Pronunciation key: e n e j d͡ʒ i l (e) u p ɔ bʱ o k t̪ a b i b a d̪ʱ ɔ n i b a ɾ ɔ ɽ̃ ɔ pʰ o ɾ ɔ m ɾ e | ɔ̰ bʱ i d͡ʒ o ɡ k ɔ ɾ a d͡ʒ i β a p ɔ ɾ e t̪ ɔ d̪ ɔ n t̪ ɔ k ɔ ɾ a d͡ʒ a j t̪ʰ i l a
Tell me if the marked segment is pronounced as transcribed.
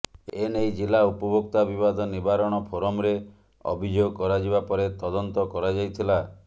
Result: no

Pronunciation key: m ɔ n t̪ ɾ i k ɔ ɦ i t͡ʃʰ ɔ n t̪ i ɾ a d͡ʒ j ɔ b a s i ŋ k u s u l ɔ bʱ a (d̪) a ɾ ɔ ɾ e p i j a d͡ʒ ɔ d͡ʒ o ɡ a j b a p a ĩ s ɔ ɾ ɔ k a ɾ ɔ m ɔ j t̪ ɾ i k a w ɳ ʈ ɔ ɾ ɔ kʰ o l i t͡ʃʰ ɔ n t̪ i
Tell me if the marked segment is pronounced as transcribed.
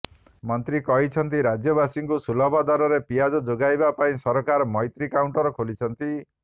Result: yes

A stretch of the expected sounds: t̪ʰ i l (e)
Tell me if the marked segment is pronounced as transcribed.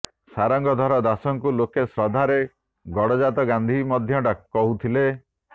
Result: yes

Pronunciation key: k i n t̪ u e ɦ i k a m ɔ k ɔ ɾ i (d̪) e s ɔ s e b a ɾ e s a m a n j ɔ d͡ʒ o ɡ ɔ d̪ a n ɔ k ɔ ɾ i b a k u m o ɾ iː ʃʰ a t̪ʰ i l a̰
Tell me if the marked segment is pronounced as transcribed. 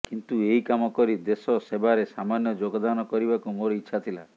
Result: yes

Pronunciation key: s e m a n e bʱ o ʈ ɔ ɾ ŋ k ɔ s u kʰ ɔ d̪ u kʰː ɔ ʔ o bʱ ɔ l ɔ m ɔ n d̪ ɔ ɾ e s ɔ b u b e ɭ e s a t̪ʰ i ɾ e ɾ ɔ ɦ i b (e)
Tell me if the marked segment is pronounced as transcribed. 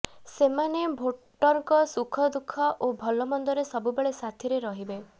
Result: yes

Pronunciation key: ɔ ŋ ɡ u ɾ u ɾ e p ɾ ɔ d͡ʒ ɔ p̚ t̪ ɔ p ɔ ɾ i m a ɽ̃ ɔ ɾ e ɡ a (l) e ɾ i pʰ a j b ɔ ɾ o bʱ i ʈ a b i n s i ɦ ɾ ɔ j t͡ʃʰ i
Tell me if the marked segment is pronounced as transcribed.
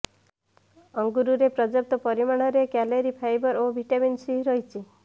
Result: yes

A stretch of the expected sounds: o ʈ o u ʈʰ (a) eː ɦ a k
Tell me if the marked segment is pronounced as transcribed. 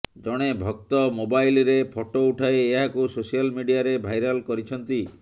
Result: yes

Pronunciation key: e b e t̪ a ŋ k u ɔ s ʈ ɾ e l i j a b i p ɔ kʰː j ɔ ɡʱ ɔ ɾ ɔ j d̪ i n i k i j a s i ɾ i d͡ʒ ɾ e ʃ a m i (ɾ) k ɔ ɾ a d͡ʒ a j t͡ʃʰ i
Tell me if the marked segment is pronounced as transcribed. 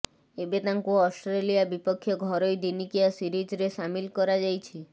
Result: no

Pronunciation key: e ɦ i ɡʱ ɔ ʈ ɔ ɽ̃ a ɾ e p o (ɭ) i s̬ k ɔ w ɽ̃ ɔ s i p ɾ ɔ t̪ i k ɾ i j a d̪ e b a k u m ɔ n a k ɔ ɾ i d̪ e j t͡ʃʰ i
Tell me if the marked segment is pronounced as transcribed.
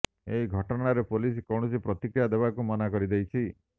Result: no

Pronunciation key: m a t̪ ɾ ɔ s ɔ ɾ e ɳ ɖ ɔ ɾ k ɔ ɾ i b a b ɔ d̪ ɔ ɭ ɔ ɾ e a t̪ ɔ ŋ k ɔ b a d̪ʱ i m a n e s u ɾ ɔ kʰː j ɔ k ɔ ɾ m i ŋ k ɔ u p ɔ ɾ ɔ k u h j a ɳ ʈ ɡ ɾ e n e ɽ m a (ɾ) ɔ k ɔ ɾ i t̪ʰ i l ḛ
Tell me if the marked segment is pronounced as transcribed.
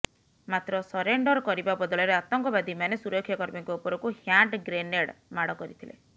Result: no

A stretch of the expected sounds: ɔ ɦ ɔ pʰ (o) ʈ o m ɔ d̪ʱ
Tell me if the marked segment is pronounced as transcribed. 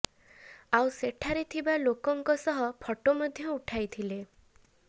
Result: no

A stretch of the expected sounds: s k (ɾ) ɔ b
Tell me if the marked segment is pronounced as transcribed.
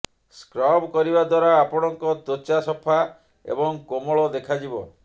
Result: yes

